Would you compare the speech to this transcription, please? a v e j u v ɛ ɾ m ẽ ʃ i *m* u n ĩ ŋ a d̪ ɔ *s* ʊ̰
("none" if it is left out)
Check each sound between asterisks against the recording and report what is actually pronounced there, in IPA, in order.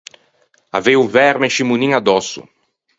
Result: m, s

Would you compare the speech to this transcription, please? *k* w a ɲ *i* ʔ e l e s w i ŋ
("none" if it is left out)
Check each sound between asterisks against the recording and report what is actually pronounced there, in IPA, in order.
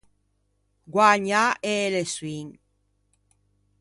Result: ɡ, a

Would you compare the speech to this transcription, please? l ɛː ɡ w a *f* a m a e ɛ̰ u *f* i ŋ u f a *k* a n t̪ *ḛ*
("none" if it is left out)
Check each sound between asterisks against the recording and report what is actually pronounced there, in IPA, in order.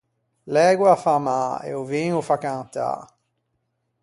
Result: f, v, k, a̰

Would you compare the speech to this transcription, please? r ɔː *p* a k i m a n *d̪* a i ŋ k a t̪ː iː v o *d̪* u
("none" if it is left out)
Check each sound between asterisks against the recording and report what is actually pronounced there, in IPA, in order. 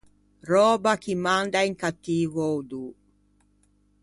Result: b, d̪, d̪

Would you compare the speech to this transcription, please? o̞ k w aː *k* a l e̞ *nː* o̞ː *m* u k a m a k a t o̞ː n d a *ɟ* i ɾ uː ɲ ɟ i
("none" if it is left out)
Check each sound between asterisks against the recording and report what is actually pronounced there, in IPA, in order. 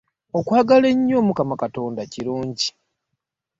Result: ɡ, ɲː, m, c

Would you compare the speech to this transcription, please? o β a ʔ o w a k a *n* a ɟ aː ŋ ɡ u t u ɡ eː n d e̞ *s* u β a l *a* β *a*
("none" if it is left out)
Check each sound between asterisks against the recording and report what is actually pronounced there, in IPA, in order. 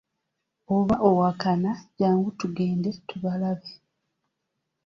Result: n, t, a, e

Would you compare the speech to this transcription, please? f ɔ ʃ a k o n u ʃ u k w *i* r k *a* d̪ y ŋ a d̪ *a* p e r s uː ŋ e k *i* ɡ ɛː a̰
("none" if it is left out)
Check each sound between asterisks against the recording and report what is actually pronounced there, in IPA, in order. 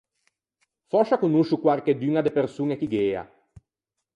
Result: a, e, e, i

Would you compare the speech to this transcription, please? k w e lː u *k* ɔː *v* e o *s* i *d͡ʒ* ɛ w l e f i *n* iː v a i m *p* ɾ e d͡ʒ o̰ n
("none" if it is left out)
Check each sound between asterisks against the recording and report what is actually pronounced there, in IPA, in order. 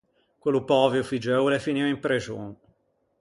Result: p, v, f, d͡ʒ, n, p

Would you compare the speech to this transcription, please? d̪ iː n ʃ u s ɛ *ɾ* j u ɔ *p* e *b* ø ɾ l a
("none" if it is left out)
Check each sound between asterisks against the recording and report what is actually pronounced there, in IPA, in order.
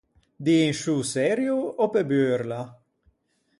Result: ɾ, p, b

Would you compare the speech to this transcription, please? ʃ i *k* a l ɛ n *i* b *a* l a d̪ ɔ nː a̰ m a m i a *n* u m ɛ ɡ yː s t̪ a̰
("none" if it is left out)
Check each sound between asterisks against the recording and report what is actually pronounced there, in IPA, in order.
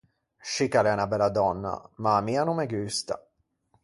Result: k, a, ɛ, n

